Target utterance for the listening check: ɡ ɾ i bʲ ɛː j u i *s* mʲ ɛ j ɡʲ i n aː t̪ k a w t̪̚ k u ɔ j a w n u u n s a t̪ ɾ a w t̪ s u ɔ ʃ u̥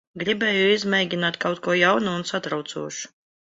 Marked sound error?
yes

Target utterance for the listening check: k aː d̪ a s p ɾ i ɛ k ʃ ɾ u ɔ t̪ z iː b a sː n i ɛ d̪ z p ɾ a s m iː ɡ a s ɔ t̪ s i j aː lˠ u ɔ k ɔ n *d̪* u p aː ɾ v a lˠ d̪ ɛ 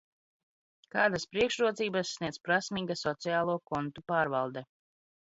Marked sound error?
yes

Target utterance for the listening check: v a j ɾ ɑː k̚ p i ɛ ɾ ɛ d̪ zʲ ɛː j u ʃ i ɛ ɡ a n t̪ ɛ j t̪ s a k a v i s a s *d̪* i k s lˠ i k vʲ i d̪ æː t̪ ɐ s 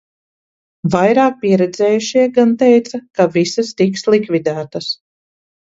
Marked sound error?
yes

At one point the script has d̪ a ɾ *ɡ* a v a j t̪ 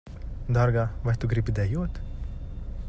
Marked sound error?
no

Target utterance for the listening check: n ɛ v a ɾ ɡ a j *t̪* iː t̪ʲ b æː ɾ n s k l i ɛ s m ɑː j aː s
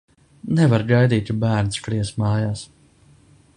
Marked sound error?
yes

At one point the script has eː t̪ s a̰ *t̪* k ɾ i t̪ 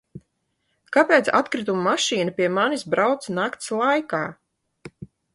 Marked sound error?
no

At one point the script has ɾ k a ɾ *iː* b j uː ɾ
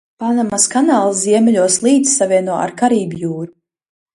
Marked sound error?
no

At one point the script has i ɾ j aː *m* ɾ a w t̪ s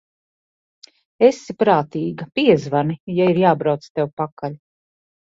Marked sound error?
yes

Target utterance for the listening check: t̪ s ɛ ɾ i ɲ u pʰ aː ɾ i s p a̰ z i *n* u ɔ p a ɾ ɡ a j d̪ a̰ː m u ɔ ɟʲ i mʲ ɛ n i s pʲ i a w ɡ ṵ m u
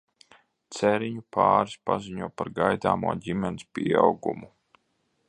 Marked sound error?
yes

